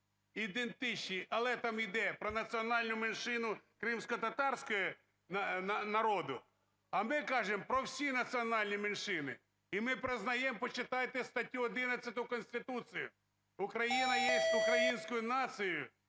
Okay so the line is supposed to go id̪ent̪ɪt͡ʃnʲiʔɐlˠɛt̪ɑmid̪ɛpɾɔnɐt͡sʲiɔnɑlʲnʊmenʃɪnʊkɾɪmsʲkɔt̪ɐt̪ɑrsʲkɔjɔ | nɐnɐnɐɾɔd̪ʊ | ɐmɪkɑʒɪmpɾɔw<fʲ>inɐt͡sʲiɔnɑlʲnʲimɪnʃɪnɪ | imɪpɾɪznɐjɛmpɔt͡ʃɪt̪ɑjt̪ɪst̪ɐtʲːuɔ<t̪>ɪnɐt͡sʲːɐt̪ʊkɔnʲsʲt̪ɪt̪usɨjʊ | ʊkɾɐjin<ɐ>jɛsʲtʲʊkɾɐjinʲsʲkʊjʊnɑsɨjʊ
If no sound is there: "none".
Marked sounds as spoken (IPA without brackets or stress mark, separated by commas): sʲ, d̪, ɐ